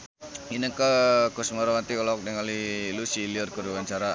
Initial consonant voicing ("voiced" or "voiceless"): voiced